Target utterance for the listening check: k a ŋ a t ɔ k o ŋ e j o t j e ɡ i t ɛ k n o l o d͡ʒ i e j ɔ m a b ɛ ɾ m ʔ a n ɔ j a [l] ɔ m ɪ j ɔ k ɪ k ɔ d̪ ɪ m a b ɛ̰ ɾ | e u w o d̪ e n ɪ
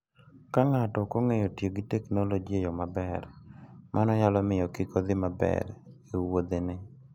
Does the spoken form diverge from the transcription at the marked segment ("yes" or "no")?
no